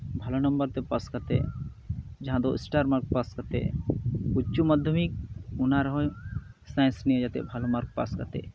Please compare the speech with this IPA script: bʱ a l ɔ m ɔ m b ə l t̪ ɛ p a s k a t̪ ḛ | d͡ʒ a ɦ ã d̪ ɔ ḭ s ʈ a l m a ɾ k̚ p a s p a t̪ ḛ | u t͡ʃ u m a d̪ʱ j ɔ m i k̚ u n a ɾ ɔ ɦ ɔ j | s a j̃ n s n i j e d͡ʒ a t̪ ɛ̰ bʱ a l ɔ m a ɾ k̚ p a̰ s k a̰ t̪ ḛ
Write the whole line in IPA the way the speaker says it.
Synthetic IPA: bʱ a l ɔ n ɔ m b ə ɾ t̪ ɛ p a s k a t̪ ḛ | d͡ʒ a ɦ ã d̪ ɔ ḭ s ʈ a ɾ m a ɾ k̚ p a s k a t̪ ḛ | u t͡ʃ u m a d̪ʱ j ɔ m i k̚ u n a ɾ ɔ ɦ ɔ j | s a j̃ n s n i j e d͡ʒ a t̪ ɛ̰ bʱ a l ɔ m a ɾ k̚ p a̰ s k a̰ t̪ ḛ